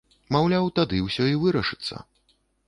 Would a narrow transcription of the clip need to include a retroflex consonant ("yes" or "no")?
yes